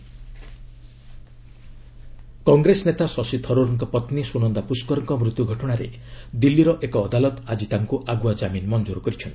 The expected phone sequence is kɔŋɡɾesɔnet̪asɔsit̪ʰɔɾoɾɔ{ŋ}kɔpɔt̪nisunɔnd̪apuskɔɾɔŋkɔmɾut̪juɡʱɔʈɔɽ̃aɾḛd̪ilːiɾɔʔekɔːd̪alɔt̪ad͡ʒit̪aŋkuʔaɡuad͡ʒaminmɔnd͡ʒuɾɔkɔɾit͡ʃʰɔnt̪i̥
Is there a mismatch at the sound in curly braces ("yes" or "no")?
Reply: no